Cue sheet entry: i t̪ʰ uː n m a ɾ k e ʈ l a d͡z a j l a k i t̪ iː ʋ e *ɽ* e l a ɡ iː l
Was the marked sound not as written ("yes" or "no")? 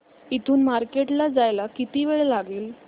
yes